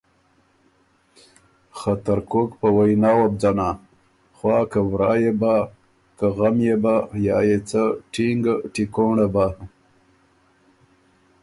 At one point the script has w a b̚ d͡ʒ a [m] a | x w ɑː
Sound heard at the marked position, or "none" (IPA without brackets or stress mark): n